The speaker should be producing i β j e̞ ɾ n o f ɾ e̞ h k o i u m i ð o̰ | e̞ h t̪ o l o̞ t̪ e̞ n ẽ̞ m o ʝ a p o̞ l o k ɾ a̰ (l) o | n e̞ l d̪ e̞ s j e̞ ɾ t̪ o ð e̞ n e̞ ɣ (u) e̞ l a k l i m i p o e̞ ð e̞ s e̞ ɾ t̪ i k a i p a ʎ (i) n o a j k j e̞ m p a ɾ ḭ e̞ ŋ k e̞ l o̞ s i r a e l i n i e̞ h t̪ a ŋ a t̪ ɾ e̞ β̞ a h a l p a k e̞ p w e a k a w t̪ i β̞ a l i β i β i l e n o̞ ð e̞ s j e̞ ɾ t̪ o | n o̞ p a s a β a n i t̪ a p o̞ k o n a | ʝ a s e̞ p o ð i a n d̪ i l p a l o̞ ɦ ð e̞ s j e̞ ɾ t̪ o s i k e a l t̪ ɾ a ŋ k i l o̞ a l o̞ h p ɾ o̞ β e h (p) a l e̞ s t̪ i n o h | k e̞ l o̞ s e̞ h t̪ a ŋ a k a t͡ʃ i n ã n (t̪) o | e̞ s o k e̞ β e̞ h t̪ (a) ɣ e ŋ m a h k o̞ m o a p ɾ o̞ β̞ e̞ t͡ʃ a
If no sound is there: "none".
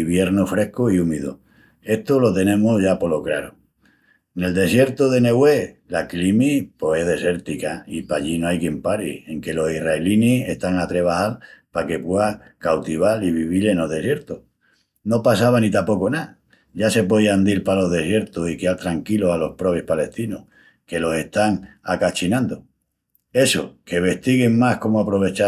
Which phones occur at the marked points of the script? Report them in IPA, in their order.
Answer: ɾ, w, i, p, d̪, i

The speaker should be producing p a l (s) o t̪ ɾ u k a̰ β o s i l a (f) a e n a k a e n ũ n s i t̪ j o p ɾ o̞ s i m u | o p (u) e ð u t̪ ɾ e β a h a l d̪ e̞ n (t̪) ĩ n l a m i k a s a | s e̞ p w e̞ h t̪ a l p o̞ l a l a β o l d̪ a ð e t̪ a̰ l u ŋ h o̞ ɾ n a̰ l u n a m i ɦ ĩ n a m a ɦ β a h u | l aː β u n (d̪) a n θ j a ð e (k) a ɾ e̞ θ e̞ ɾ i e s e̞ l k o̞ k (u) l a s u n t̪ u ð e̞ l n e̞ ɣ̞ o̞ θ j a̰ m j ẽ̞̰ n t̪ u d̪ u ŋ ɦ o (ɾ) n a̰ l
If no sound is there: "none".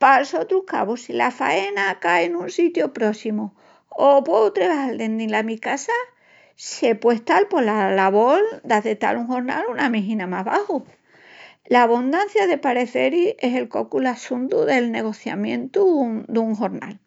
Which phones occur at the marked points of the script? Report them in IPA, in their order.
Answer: s, f, w, d̪, d̪, p, u, ɾ

